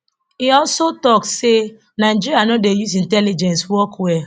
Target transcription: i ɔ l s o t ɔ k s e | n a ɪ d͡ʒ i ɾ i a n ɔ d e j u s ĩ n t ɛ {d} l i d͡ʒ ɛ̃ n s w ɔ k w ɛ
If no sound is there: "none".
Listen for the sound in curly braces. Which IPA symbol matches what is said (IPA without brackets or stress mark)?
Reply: none